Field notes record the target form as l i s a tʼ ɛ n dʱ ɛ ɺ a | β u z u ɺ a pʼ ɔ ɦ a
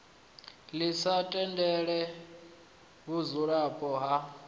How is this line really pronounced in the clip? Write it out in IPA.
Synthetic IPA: l i s a tʼ ɛ n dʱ ɛ ɺ ɛ | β u z u ɺ a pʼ ɔ ɦ a

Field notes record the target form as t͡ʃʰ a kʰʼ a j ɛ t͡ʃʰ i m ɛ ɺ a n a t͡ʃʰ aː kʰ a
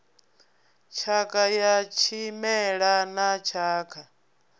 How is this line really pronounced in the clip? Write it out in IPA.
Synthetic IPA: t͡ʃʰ a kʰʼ a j a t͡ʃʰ i m ɛ ɺ a n a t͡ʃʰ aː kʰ a

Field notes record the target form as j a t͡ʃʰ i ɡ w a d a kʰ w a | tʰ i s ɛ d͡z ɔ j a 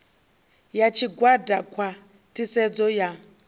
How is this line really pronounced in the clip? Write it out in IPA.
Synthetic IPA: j a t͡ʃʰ i ɡ w a d a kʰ w a | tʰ i s ɛ d͡z ɔ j a

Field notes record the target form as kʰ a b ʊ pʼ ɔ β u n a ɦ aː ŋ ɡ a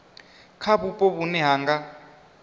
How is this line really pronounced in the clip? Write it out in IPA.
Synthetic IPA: kʰ a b u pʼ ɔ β u n ɛ ɦ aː ŋ ɡ a

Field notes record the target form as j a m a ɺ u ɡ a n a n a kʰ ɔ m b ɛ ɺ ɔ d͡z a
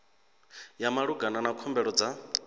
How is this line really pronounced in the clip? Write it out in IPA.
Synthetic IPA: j a m a ɺ u ɡ a n a n a kʰ ɔ m b ɛ ɺ ɔ d͡z a

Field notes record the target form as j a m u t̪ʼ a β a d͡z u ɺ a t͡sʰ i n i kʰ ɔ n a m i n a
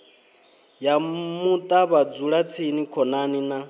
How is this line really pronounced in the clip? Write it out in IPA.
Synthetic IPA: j a m u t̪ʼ a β a d͡z u ɺ a t͡sʰ i n i kʰ ɔ n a n i n a

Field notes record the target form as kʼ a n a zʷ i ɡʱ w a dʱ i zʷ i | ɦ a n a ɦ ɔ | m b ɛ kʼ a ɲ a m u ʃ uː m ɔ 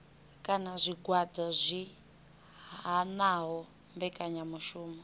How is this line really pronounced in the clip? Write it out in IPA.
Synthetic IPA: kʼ a n a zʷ i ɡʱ w a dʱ a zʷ i | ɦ a n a ɦ ɔ | m b ɛ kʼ a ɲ a m u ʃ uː m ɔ

